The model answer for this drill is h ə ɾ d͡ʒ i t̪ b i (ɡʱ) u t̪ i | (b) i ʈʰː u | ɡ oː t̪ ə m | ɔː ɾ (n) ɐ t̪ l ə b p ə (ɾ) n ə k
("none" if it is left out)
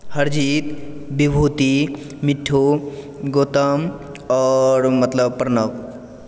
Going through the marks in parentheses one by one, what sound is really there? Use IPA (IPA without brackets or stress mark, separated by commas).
bʱ, m, m, ɾ